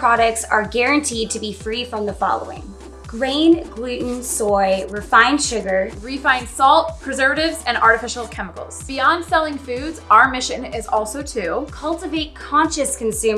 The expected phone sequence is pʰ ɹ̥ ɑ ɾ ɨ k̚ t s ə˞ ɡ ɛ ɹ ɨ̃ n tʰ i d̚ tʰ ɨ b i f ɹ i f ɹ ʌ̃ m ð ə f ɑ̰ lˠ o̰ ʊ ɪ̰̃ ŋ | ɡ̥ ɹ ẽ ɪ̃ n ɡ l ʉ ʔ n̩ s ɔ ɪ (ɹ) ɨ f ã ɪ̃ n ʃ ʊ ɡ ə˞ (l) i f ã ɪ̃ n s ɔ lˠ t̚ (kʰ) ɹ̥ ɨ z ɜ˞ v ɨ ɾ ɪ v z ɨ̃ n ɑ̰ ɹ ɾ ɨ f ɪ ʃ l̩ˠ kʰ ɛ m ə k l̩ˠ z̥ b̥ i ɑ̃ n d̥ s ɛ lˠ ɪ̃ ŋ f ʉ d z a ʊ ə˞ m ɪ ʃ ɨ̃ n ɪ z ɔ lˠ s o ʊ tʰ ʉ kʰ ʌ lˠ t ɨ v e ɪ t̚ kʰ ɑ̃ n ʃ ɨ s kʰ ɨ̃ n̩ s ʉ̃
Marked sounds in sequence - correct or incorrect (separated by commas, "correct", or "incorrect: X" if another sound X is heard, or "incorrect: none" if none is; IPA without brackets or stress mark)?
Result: correct, incorrect: ɹ, incorrect: pʰ